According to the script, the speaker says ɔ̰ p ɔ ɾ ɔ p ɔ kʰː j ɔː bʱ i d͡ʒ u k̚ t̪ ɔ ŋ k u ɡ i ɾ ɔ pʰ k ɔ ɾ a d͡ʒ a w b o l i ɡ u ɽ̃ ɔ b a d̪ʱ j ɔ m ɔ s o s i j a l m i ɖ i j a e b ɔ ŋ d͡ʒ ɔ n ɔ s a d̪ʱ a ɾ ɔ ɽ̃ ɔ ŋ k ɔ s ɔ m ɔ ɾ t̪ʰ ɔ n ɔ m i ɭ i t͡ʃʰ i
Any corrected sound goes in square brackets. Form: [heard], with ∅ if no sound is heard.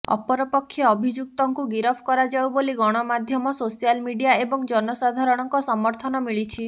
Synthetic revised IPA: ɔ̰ p ɔ ɾ ɔ p ɔ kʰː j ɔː bʱ i d͡ʒ u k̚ t̪ ɔ ŋ k u ɡ i ɾ ɔ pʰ k ɔ ɾ a d͡ʒ a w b o l i ɡ [ɔ] ɽ̃ ɔ [m] a d̪ʱ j ɔ m ɔ s o s i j a l m i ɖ i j a e b ɔ ŋ d͡ʒ ɔ n ɔ s a d̪ʱ a ɾ ɔ ɽ̃ ɔ ŋ k ɔ s ɔ m ɔ ɾ t̪ʰ ɔ n ɔ m i ɭ i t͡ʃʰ i